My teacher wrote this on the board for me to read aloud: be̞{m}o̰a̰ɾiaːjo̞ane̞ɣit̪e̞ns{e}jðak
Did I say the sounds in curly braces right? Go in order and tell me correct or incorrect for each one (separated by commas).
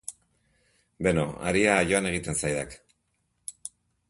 incorrect, incorrect